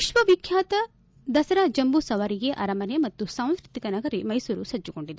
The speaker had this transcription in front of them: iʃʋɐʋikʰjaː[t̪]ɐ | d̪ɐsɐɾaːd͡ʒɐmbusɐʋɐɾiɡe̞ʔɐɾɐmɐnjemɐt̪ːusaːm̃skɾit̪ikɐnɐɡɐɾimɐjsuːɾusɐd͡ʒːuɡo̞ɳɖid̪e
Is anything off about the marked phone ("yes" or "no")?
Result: no